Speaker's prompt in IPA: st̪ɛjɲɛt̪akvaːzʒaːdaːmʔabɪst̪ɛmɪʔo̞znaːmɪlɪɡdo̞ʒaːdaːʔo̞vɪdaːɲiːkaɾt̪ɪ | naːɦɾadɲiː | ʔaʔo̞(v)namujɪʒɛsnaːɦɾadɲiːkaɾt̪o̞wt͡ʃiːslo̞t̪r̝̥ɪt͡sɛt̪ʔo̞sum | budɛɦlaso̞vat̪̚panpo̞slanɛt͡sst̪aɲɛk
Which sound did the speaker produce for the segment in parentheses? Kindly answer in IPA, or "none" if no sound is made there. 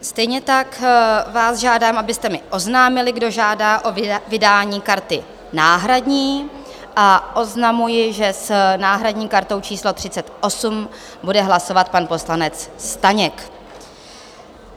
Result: z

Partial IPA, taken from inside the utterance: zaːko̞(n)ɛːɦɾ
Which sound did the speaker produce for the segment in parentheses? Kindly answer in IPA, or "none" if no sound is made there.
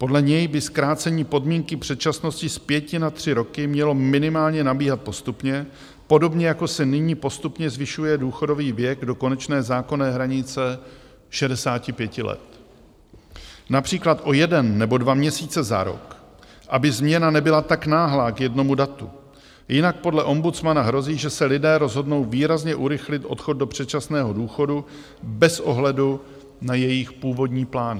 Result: n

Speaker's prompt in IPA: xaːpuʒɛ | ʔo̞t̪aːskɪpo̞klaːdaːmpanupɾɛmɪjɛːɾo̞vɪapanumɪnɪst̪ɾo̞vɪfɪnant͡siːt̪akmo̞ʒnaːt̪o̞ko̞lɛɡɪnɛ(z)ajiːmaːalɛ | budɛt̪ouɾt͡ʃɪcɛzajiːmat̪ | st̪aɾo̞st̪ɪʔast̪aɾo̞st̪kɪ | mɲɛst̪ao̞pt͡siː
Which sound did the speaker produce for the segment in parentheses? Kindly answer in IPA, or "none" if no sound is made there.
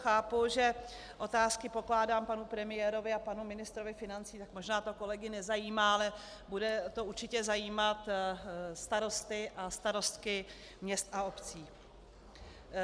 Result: z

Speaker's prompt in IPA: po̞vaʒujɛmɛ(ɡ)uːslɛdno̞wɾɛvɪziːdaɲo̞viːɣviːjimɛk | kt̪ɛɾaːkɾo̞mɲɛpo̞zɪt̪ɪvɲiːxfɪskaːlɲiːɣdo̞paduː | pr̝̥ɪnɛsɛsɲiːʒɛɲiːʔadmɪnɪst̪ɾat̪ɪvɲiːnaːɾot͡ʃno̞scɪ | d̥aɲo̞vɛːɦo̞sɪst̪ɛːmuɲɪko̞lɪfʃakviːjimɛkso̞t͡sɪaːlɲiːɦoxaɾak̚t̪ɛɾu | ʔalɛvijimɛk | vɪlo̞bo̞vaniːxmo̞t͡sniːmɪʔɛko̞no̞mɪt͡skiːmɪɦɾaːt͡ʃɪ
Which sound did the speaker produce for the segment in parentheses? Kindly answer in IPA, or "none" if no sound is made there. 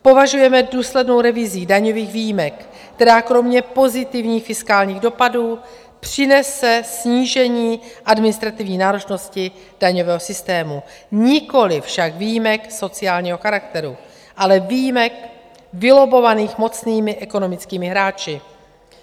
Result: d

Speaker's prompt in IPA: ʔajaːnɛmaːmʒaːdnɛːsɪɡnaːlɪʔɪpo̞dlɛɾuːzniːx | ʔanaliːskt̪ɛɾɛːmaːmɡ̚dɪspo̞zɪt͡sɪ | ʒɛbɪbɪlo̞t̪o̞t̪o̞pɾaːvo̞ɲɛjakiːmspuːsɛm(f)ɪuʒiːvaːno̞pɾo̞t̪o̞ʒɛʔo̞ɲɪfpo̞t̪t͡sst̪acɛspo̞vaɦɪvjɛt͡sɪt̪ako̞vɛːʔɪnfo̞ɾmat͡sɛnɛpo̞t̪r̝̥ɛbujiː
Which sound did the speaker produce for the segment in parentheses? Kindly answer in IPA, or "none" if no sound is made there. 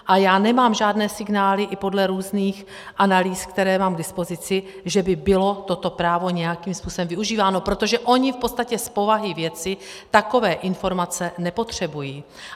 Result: v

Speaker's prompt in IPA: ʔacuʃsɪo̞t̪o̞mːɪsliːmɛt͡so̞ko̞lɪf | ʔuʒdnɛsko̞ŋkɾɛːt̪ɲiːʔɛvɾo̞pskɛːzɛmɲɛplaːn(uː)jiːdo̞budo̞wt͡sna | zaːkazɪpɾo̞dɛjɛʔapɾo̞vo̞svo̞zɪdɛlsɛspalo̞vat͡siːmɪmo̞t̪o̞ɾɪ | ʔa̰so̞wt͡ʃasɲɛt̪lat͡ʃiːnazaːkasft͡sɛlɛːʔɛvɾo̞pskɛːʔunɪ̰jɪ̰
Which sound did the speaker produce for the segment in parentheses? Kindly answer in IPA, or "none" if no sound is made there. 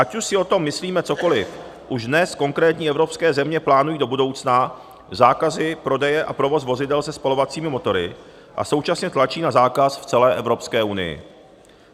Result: u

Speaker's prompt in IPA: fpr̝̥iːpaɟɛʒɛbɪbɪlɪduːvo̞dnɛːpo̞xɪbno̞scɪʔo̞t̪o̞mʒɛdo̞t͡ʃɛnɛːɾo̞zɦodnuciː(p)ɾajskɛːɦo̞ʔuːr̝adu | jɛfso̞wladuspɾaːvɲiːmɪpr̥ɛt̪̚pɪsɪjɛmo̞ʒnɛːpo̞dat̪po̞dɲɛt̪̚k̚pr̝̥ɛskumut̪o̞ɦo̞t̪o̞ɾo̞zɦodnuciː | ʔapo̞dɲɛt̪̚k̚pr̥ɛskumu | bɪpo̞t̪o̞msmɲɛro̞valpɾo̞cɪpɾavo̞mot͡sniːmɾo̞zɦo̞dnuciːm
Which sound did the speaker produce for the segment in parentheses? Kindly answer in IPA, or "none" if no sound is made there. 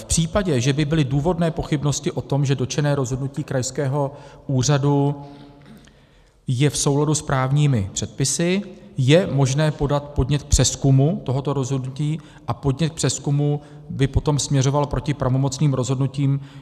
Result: k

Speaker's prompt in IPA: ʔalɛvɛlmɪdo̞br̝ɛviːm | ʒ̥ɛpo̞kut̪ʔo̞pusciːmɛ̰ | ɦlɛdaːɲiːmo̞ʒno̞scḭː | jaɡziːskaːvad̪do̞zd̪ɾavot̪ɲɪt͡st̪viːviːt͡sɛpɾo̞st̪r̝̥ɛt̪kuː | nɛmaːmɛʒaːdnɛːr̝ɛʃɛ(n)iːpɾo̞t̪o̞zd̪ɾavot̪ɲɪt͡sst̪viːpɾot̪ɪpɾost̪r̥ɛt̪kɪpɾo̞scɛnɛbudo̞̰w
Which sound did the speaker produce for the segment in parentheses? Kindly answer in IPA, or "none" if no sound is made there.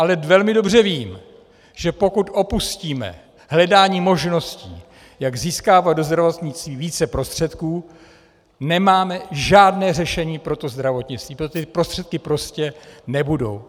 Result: ɲ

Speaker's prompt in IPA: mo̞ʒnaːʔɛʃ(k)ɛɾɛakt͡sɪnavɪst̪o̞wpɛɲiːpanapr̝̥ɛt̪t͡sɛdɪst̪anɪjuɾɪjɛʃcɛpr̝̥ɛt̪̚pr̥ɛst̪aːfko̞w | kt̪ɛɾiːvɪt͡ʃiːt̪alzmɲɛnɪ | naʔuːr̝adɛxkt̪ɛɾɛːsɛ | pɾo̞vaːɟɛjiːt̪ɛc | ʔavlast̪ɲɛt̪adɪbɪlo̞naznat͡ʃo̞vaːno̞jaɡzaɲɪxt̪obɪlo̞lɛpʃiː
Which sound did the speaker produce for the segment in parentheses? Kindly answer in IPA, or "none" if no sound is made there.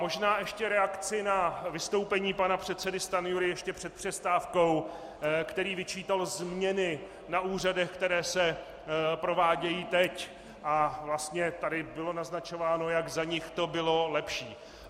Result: c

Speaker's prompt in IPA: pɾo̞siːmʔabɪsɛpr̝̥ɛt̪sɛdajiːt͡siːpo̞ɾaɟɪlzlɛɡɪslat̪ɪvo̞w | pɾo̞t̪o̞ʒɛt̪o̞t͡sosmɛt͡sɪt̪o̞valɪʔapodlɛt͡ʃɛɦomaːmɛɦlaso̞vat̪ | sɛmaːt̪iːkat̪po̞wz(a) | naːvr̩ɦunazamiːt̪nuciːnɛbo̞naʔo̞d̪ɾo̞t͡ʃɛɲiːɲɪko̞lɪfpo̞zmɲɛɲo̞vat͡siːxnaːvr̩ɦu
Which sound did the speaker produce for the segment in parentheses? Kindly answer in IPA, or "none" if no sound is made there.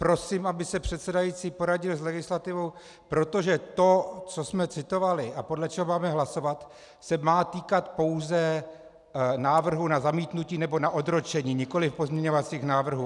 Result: ɛ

